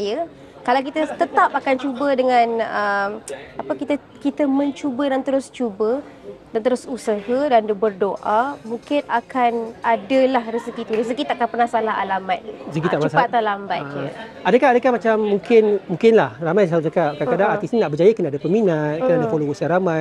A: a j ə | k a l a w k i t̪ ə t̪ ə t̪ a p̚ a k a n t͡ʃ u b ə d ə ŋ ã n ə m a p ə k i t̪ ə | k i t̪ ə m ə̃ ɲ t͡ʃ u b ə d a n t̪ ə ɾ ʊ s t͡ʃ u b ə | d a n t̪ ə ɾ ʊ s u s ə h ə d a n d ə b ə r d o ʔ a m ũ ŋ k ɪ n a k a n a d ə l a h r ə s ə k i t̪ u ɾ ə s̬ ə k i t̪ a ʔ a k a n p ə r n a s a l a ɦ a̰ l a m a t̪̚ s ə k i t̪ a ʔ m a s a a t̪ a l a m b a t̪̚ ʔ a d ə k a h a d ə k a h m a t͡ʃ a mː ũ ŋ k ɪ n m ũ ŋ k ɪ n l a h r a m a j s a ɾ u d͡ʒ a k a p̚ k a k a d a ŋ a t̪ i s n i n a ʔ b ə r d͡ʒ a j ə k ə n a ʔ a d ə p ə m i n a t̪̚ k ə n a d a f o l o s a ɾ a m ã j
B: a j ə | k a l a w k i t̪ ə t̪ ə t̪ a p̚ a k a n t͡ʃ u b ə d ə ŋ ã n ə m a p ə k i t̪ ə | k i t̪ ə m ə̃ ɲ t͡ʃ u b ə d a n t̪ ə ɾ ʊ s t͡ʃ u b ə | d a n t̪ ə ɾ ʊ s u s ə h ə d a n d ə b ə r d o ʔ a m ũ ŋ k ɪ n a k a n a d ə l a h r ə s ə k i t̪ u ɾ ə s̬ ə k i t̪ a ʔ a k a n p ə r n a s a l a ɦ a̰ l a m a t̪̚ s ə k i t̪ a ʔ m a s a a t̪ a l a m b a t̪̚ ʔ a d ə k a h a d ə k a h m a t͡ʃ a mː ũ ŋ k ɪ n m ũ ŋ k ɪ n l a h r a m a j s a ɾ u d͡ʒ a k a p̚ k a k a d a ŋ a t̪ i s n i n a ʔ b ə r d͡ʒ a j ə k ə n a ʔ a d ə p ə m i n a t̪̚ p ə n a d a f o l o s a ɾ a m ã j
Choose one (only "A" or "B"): A